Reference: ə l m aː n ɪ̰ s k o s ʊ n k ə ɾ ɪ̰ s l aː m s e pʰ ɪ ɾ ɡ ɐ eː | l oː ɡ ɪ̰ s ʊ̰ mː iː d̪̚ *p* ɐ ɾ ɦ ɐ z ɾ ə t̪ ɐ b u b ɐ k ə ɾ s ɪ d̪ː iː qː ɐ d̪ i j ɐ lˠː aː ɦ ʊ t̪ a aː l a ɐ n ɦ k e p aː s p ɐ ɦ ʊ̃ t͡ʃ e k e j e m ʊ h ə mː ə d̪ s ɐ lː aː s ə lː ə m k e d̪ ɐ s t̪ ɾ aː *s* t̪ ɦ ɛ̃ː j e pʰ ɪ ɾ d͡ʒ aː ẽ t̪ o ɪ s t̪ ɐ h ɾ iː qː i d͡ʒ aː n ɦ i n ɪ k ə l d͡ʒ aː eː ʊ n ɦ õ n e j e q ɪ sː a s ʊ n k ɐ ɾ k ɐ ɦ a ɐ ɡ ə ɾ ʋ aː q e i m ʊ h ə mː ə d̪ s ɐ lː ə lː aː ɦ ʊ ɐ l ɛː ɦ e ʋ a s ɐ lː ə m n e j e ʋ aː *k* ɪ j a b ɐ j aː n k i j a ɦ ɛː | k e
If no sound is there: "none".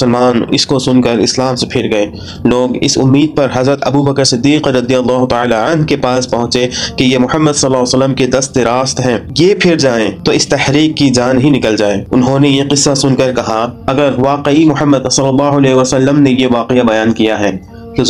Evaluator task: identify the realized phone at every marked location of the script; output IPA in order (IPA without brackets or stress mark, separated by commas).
p, s, q